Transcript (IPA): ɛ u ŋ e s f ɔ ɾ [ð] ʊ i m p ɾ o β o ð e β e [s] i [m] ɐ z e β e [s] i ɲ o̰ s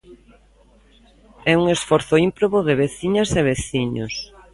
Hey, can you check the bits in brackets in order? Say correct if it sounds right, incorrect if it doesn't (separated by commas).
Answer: incorrect, incorrect, incorrect, incorrect